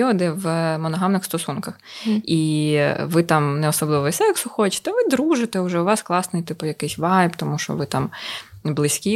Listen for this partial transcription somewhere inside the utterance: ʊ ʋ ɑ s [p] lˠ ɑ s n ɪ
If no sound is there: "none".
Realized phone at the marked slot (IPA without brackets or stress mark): k